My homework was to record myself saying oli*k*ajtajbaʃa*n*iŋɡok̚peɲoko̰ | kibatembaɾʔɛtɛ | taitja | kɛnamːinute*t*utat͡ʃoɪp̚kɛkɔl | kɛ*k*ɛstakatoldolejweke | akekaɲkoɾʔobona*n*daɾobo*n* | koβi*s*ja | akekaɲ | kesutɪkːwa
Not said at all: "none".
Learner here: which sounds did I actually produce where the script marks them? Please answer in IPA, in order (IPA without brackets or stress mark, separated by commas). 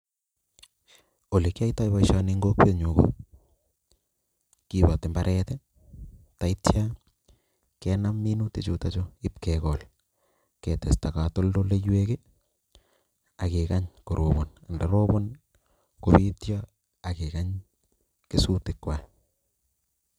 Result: k, n, t͡ʃ, t, n, n, t